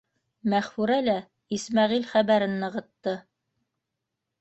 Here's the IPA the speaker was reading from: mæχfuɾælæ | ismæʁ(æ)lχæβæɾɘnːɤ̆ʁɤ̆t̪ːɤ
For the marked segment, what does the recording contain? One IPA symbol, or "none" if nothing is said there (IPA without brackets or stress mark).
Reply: i